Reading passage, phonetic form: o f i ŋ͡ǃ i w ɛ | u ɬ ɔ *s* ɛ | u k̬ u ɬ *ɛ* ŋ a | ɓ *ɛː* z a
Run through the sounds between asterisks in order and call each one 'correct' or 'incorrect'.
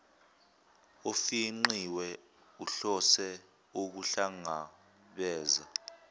correct, incorrect: a, correct

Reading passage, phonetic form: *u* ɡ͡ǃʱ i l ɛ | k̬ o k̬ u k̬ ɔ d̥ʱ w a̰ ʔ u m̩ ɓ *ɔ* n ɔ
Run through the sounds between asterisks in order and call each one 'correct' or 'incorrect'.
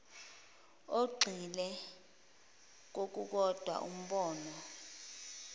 incorrect: o, incorrect: ɔː

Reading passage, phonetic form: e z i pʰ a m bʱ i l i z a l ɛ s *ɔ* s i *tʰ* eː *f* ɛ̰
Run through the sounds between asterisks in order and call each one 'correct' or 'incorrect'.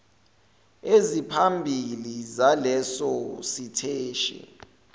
correct, correct, incorrect: ʃ

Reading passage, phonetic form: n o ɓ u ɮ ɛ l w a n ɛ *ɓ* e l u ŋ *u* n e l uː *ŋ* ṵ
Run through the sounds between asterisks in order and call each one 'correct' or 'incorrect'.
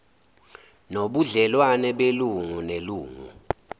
correct, correct, correct

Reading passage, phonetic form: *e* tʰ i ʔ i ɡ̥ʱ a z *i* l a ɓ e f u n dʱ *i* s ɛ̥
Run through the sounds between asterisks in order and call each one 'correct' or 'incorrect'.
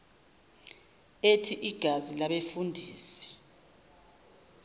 correct, correct, incorrect: iː

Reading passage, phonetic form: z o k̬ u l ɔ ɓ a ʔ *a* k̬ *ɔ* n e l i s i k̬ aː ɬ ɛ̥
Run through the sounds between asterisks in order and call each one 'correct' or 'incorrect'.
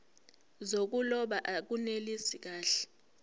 correct, incorrect: u

